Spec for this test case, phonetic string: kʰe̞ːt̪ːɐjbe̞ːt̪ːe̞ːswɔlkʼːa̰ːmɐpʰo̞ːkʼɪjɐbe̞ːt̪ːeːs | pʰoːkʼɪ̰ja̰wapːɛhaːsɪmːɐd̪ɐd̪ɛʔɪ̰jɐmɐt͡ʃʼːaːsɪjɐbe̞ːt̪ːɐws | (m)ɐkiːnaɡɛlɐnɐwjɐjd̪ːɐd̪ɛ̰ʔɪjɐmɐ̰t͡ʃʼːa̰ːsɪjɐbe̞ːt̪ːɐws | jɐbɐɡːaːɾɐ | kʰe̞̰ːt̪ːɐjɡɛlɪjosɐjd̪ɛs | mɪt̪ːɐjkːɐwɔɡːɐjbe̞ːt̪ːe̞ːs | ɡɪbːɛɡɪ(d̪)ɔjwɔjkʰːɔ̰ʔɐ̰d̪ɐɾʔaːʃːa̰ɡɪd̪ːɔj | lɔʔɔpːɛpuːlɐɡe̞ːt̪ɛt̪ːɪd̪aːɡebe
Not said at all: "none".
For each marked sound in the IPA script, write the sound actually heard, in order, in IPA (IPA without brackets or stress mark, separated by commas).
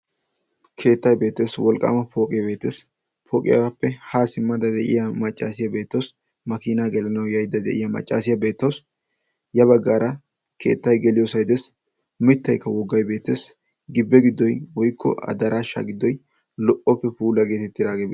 m, d̪ː